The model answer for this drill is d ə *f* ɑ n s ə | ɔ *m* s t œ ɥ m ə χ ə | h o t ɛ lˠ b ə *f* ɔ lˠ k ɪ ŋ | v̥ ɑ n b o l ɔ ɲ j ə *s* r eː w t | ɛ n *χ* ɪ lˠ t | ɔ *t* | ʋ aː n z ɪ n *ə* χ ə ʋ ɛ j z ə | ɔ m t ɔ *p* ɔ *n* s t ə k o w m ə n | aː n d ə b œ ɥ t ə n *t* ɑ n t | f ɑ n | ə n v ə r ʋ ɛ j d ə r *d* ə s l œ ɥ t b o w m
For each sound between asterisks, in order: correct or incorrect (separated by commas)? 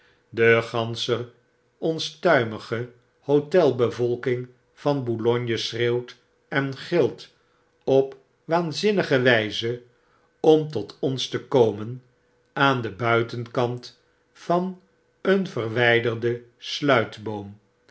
incorrect, incorrect, incorrect, correct, correct, incorrect, correct, incorrect, correct, incorrect, correct